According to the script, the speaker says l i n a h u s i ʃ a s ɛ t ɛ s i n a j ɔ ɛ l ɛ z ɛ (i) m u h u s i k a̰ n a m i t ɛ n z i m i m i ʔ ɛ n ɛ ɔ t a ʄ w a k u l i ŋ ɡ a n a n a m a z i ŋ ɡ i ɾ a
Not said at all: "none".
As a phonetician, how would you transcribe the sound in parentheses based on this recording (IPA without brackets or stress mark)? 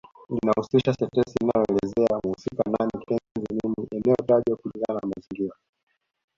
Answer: a